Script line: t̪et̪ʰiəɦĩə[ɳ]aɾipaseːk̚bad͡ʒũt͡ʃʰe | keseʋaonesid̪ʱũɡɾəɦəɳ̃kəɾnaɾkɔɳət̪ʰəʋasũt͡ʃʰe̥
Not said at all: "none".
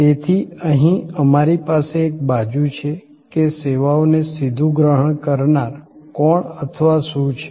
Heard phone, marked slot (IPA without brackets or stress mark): m